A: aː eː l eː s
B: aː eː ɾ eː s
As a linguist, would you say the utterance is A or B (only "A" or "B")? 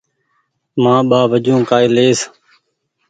A